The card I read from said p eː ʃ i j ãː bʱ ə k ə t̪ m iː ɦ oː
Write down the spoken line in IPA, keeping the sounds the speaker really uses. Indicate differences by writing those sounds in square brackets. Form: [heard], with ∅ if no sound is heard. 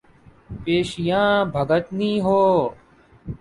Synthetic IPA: p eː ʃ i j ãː bʱ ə [ɡ] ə t̪ [n] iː ɦ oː